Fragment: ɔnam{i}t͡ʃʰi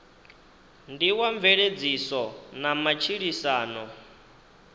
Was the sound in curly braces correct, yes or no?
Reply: no